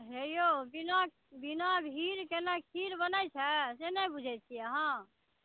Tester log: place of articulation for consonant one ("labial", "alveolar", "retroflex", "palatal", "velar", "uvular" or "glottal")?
glottal